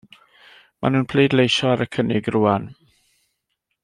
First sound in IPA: m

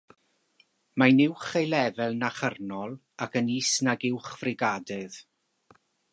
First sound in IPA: m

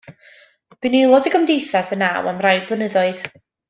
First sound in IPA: b̥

